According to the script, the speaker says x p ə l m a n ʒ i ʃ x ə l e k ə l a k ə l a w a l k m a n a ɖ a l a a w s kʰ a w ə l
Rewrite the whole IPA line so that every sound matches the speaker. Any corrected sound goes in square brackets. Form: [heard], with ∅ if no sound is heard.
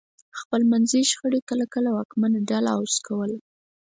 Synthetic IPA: x p ə l m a n [z] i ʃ x ə [ɽ] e k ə l a k ə l a w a [∅] k m a n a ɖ a l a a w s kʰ a w ə l